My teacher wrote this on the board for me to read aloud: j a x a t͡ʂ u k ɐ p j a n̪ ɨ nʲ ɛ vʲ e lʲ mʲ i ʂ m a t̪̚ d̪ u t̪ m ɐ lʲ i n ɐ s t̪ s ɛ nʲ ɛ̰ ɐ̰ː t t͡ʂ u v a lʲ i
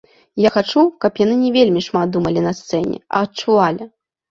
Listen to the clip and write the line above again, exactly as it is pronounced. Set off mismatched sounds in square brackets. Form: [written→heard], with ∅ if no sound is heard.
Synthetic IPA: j a x a t͡ʂ u k ɐ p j a n̪ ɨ nʲ ɛ vʲ e lʲ mʲ i ʂ m a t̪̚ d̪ u [t̪→∅] m ɐ lʲ i n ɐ s t̪ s ɛ nʲ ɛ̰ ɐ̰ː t t͡ʂ u v a lʲ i